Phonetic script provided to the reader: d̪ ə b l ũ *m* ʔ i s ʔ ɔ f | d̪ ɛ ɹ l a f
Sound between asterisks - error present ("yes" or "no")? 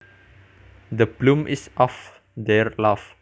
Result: no